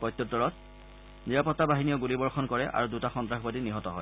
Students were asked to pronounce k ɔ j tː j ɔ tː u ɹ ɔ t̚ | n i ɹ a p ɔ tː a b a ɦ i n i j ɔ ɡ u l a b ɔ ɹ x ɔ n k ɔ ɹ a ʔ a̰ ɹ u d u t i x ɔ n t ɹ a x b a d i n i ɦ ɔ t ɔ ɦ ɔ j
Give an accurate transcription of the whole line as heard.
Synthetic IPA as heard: p ɔ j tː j ɔ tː ɔ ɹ ɔ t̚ | n i ɹ a p ɔ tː a b a ɦ i n i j ɔ ɡ u l i b ɔ ɹ x ɔ n k ɔ ɹ ɛ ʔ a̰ ɹ u d u t a x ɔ n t ɹ a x b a d i n i ɦ ɔ t ɔ ɦ ɔ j